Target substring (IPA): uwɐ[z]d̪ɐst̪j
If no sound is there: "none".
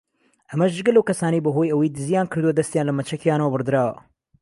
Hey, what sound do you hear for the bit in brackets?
none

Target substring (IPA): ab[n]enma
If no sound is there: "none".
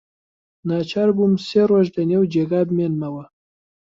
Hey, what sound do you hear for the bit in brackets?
m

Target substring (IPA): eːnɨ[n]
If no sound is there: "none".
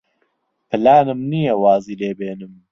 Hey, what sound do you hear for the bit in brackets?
m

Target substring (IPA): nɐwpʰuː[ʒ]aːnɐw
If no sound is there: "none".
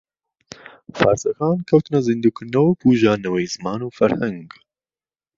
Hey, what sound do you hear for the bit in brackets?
ʒ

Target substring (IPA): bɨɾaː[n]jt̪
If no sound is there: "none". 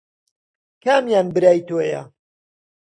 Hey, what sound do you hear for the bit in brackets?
none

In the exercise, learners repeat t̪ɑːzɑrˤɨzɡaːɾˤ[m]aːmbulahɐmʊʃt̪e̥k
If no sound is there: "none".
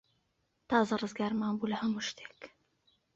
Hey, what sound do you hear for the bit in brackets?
m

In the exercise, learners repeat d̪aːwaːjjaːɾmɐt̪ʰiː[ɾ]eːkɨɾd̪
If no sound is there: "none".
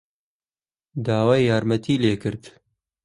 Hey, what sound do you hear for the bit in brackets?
l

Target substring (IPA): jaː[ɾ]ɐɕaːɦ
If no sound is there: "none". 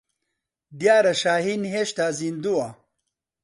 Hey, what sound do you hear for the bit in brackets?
ɾ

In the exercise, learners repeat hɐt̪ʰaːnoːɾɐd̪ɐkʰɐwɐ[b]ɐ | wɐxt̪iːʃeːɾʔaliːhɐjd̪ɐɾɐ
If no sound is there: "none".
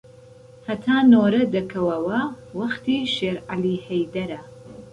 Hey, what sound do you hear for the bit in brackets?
w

